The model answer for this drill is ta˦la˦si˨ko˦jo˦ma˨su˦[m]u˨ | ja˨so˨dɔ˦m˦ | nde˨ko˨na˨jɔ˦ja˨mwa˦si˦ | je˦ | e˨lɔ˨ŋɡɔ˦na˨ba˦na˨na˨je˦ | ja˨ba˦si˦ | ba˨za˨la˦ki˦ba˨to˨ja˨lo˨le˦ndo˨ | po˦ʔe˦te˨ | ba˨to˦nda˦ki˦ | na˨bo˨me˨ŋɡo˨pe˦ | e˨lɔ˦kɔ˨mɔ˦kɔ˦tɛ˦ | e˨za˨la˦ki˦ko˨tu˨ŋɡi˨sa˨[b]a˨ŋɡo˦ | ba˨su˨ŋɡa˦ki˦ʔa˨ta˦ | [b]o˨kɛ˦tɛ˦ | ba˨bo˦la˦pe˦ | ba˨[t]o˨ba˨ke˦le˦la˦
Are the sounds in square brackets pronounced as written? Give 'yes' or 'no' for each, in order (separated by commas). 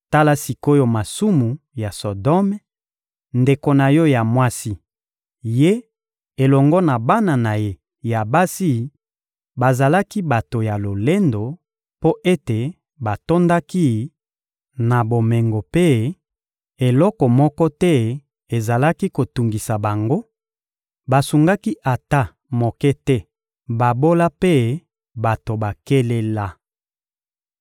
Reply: yes, yes, no, yes